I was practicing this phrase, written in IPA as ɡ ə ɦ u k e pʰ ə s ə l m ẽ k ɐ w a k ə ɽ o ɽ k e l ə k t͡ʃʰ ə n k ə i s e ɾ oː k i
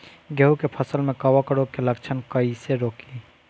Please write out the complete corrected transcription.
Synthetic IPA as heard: ɡ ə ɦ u k e pʰ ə s ə l m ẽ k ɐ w a k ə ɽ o k e l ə k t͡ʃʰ ə n k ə i s e ɾ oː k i